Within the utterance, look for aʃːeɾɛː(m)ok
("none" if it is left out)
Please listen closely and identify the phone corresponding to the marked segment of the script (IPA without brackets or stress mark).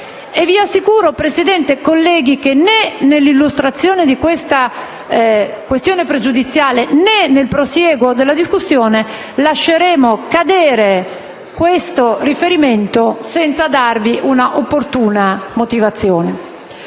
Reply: m